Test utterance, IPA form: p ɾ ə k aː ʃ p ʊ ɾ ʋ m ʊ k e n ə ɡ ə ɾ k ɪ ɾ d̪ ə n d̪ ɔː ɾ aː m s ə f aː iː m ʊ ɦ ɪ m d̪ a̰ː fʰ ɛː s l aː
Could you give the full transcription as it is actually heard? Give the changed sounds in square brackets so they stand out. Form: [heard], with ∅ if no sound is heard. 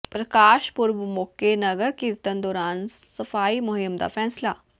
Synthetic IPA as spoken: p ɾ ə k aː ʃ p ʊ ɾ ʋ m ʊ k e n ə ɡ ə ɾ k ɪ ɾ [t̪] ə n d̪ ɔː ɾ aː [n] s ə f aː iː m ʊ ɦ ɪ m d̪ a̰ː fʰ ɛː s l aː

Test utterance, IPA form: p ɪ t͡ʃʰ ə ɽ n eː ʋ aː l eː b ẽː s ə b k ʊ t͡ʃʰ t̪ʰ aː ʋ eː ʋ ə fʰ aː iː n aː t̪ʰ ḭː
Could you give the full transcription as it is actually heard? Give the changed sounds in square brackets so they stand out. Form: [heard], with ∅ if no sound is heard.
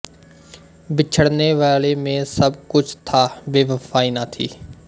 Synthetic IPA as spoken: [b] ɪ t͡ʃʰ ə ɽ n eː ʋ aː l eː [m] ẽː s ə b k ʊ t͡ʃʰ t̪ʰ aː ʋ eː ʋ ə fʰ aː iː n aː t̪ʰ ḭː

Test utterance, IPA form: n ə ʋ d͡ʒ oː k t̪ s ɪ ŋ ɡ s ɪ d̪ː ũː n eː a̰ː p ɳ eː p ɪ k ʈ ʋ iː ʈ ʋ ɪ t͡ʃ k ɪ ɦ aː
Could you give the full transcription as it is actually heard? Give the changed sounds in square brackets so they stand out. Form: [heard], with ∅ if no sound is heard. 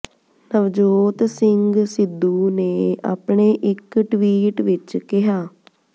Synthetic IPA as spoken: n ə ʋ d͡ʒ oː [∅] t̪ s ɪ ŋ ɡ s ɪ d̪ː [uː] n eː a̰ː p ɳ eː [ʔ] ɪ k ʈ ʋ iː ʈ ʋ ɪ t͡ʃ k ɪ ɦ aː

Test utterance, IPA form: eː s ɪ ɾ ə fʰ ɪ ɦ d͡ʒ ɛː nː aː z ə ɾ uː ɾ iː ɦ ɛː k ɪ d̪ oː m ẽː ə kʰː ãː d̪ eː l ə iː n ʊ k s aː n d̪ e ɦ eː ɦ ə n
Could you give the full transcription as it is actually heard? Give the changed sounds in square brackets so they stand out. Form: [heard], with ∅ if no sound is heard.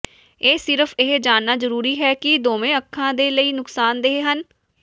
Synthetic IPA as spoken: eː s ɪ ɾ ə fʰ ɪ ɦ d͡ʒ [aː] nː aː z ə ɾ uː ɾ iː ɦ ɛː k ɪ d̪ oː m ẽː ə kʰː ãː d̪ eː l ə iː n ʊ k s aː n d̪ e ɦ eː ɦ ə n

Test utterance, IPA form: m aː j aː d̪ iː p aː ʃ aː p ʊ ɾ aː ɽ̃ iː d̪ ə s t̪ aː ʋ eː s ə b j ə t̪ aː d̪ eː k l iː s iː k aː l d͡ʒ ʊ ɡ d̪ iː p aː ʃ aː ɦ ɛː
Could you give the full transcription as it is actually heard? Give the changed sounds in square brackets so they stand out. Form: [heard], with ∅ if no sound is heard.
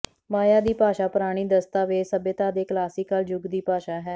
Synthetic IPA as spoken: m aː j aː d̪ iː p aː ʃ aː p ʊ ɾ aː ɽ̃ iː d̪ ə s t̪ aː ʋ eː s ə b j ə t̪ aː d̪ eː k l [aː] s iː k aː l d͡ʒ ʊ ɡ d̪ iː p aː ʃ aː ɦ ɛː

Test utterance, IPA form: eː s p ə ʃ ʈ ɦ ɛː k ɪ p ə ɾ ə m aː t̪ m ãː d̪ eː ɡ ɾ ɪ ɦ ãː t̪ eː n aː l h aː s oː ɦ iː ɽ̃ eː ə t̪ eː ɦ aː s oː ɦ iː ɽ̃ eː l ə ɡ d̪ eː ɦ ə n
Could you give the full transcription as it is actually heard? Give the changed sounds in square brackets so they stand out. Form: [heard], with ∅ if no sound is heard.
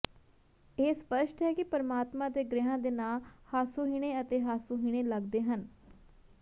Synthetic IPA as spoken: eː s p ə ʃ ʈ ɦ ɛː k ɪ p ə ɾ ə m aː t̪ m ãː d̪ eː ɡ ɾ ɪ ɦ ãː [d̪] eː n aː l h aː s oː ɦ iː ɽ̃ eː ə t̪ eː ɦ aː s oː ɦ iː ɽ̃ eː l ə ɡ d̪ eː ɦ ə n

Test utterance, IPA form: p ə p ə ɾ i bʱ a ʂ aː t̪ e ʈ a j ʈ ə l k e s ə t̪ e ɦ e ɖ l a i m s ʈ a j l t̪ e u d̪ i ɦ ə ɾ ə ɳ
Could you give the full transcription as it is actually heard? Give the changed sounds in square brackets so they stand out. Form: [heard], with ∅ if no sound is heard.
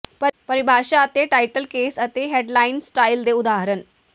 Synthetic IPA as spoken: p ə p ə ɾ i bʱ a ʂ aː t̪ e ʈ a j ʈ ə l k e s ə t̪ e ɦ e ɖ l a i [n] s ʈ a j l [d̪] e u d̪ [a] ɦ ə ɾ ə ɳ

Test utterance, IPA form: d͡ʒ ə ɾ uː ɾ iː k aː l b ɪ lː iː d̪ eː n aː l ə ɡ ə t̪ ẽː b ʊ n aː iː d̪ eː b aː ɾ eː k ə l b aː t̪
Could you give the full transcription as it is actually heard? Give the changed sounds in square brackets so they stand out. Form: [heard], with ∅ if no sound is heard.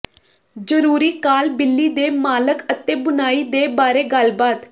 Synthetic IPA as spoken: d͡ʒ ə ɾ uː ɾ iː k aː l b ɪ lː iː d̪ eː [m] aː l ə [k] ə t̪ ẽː b ʊ n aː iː d̪ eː b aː ɾ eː [ɡ] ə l b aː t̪

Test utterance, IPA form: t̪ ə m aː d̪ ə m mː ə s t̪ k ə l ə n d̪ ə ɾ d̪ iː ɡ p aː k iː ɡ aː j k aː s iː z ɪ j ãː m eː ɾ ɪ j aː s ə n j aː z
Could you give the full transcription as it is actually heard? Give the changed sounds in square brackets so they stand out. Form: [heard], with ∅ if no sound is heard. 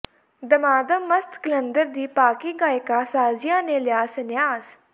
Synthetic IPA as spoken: [d̪] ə m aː d̪ ə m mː ə s t̪ k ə l ə n d̪ ə ɾ d̪ iː [∅] p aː k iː ɡ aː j k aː s [aː] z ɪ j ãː [n] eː [l] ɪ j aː s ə n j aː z

